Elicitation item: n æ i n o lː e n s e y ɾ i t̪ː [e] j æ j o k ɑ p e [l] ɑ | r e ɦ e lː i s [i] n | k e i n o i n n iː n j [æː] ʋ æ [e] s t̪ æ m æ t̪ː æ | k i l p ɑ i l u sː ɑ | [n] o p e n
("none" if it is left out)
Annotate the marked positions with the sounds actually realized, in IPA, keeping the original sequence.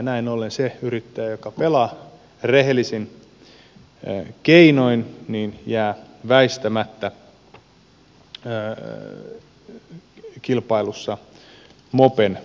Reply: æ, l, i, æː, i, m

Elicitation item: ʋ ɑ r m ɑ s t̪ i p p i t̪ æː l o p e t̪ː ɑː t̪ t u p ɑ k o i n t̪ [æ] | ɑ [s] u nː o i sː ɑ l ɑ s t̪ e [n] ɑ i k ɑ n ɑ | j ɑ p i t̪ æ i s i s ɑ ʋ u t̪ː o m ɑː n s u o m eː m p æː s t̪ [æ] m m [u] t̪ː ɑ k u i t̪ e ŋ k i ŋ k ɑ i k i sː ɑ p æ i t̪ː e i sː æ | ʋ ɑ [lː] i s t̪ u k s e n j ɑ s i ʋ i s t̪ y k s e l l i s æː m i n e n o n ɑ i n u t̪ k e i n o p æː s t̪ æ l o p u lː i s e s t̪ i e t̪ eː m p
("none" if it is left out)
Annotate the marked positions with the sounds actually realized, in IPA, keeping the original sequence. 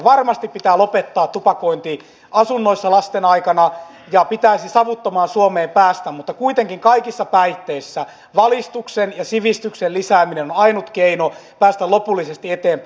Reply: i, s, n, æ, u, l

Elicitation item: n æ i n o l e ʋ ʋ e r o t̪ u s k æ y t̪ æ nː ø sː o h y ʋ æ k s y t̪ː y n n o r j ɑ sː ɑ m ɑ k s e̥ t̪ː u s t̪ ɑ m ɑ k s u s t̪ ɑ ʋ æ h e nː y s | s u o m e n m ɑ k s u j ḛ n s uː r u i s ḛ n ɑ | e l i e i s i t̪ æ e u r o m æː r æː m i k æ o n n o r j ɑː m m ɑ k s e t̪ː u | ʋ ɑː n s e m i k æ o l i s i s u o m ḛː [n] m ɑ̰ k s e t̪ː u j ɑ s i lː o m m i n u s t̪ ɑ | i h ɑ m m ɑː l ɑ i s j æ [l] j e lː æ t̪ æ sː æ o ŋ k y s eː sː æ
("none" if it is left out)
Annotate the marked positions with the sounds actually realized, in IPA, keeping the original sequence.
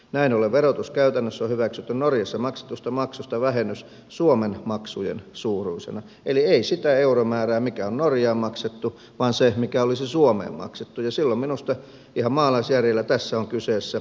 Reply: m, r

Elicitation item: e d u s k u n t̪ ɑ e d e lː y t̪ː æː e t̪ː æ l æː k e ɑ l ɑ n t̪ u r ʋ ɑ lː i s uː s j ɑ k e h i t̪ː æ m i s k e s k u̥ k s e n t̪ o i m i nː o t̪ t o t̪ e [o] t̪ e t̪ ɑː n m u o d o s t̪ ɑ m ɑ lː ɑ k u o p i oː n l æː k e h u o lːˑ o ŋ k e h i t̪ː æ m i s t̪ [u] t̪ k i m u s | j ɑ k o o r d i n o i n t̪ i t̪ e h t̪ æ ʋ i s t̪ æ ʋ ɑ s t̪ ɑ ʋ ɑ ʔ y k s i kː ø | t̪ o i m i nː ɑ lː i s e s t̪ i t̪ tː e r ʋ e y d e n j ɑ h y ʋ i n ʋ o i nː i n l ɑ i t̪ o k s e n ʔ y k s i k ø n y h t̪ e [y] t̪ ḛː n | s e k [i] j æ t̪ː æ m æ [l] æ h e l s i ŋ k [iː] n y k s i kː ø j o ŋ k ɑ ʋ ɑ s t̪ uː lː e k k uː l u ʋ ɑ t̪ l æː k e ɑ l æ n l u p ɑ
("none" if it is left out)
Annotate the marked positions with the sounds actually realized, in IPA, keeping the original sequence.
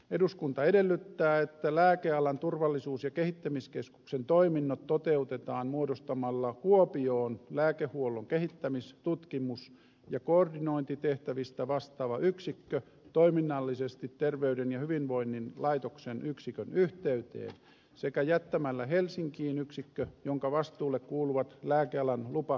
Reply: u, u, y, æ, lː, iː

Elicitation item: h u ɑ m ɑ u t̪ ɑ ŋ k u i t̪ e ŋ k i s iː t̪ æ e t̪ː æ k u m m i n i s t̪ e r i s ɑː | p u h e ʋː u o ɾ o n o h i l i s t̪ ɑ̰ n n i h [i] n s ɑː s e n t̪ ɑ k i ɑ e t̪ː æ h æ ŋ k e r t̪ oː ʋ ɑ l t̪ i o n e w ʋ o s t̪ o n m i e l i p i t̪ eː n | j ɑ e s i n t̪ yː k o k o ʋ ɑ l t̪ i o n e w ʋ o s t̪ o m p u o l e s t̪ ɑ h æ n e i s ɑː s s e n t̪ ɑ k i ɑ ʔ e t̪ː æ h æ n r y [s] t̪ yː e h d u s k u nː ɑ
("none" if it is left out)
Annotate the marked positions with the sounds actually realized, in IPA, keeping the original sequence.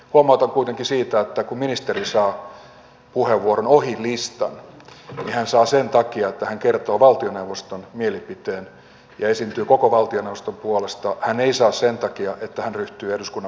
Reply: æ, h

